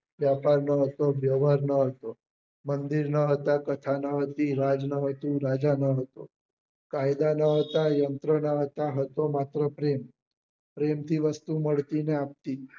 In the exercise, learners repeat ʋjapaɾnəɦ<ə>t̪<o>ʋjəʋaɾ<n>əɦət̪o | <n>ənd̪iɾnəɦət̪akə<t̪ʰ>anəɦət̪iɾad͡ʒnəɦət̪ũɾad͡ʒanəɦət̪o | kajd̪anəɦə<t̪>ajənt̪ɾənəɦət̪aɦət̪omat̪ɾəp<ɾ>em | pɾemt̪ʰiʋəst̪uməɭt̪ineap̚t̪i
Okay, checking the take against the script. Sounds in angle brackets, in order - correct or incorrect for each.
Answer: correct, correct, correct, incorrect: m, correct, correct, correct

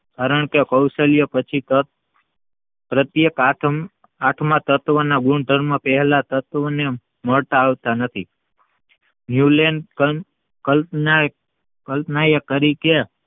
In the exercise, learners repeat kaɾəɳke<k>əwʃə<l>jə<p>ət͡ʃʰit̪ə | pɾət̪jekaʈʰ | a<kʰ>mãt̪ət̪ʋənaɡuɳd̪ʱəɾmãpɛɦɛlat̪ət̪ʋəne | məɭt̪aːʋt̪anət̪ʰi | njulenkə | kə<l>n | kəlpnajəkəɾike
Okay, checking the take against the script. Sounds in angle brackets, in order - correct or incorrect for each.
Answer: correct, correct, correct, incorrect: ʈʰ, correct

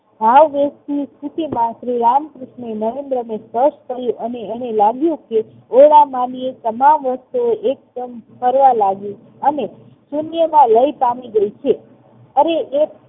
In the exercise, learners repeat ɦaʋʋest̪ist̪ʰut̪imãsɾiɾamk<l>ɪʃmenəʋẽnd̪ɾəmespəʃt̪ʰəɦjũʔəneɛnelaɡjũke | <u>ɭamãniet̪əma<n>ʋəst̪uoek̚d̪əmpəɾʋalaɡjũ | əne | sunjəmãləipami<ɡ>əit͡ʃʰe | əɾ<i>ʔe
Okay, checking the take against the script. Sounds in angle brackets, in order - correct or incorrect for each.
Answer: incorrect: ɾ, incorrect: o, incorrect: m, correct, incorrect: e

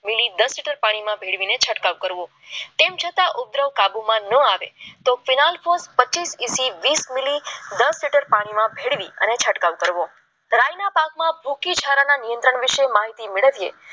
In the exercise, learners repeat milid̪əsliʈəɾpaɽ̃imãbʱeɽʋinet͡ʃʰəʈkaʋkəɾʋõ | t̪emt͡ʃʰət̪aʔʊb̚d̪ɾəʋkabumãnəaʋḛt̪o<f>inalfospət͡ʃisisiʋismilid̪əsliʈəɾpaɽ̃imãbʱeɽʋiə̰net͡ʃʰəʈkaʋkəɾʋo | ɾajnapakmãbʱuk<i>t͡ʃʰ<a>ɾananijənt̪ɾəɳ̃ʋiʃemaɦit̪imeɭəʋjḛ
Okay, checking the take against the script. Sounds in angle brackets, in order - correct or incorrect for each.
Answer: correct, correct, correct

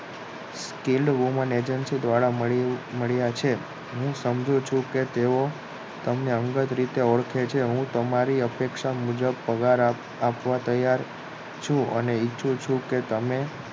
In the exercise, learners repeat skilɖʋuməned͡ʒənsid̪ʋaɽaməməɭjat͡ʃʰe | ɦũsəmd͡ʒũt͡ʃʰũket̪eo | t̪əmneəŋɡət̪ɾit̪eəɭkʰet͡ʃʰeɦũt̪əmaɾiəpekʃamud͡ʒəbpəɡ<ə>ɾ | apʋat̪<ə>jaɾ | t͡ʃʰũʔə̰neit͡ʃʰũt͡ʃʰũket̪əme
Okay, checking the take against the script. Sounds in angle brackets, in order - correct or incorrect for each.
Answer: incorrect: a, correct

